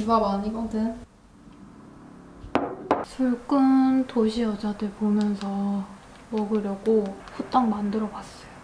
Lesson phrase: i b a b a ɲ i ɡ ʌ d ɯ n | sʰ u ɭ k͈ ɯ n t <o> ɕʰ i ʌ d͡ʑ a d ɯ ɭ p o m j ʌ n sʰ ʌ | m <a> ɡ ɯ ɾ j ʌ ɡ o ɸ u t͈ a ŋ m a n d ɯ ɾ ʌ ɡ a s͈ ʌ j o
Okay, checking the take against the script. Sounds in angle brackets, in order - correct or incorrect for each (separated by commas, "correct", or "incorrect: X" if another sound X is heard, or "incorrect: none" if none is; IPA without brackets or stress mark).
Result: correct, incorrect: ʌ